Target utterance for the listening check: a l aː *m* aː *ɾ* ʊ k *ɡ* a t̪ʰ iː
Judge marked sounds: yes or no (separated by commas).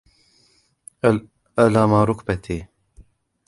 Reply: yes, yes, no